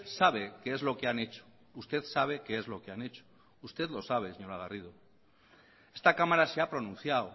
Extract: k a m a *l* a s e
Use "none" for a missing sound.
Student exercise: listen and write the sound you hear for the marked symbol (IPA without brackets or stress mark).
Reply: ɾ